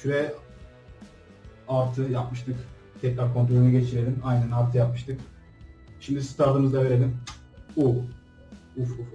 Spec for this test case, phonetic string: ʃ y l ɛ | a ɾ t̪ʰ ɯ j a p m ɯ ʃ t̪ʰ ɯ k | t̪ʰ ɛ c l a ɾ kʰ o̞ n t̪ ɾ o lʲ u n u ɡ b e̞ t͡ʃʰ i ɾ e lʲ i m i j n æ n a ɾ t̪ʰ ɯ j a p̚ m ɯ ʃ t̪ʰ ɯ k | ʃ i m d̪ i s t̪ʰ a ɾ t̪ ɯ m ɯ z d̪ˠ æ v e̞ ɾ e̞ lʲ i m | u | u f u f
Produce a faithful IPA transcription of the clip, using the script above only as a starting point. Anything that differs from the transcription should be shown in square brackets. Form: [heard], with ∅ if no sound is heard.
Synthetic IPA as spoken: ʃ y [ɾ] ɛ | a ɾ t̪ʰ ɯ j a p m ɯ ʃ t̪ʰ ɯ k | t̪ʰ ɛ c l a ɾ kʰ o̞ n t̪ ɾ o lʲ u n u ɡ [ɟ] e̞ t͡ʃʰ i ɾ e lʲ i m [a] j n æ n a ɾ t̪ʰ ɯ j a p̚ m ɯ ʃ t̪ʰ ɯ k | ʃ i m d̪ i s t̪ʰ a ɾ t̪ ɯ m ɯ z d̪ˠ [a] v e̞ ɾ e̞ lʲ i m | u | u f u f

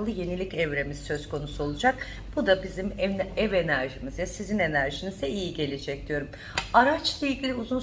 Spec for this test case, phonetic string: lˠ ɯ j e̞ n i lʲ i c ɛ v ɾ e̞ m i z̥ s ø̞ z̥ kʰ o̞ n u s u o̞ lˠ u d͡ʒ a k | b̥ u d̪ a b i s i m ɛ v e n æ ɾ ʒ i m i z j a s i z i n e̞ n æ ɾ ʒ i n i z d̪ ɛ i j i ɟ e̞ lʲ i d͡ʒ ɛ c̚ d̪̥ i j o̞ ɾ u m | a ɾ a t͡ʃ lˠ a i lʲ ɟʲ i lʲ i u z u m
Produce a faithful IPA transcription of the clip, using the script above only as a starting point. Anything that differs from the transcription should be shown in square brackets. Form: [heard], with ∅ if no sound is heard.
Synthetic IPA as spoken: lˠ ɯ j e̞ n i lʲ i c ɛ v ɾ e̞ m i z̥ s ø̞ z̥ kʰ o̞ n u s u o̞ lˠ u d͡ʒ a k | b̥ u d̪ a b i [z] i m ɛ v e n æ ɾ ʒ i m i z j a s i z i n e̞ n æ ɾ ʒ i n i z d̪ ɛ i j i ɟ e̞ lʲ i d͡ʒ ɛ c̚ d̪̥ i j o̞ ɾ u m | a ɾ a t͡ʃ lˠ a i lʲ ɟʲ i lʲ i u z u [n]

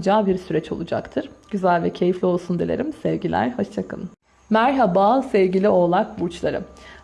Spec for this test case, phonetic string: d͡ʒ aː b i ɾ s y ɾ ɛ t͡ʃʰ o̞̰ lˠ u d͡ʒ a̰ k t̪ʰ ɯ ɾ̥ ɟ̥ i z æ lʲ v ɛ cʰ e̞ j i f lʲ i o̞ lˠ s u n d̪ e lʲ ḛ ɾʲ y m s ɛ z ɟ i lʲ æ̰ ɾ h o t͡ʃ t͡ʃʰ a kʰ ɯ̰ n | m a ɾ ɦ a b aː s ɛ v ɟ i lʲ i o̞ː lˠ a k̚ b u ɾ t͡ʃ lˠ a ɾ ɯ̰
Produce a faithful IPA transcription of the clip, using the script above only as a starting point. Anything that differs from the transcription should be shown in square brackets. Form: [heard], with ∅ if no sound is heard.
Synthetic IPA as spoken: d͡ʒ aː b i ɾ s y ɾ ɛ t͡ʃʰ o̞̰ lˠ u d͡ʒ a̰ k t̪ʰ ɯ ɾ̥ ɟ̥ [y] z æ lʲ v ɛ cʰ e̞ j i f lʲ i o̞ lˠ s u n d̪ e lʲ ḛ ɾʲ [i] m s ɛ [v] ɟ i lʲ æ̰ ɾ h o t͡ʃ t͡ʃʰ a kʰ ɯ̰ n | m [æ] ɾ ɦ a b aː s ɛ v ɟ i lʲ i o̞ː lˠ a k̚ b u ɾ t͡ʃ lˠ a ɾ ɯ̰

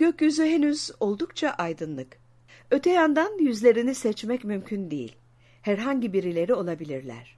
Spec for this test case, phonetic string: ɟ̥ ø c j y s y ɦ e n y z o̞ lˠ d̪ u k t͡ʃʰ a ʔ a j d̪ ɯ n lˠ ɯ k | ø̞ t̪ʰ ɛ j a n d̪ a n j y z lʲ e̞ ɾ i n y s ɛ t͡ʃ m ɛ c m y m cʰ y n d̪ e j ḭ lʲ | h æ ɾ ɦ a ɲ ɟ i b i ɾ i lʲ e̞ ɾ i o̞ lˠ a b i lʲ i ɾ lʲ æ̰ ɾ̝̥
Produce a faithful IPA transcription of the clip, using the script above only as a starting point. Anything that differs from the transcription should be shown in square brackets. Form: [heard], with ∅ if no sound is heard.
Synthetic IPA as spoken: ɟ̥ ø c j y [z] y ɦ e n y z o̞ lˠ d̪ u k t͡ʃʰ a ʔ a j d̪ ɯ n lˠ ɯ k | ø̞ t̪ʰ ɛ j a n d̪ a n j y z lʲ e̞ ɾ i n [i] s ɛ t͡ʃ m ɛ c m y m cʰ y n d̪ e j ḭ lʲ | h æ ɾ ɦ a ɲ ɟ i b i ɾ i lʲ e̞ ɾ i o̞ lˠ a b i lʲ i ɾ lʲ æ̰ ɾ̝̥

